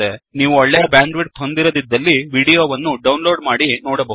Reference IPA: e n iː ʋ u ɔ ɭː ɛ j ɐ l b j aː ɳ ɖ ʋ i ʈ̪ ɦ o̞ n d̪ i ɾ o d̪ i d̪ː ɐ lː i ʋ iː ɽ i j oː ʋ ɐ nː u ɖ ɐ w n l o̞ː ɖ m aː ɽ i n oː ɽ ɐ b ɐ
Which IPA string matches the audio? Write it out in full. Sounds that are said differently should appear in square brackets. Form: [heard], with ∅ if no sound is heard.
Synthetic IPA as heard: e n iː ʋ u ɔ ɭː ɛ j ɐ [∅] b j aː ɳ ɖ ʋ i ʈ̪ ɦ o̞ n d̪ i ɾ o d̪ i d̪ː ɐ lː i ʋ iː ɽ i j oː ʋ ɐ nː u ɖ ɐ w n l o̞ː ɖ m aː ɽ i n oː ɽ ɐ b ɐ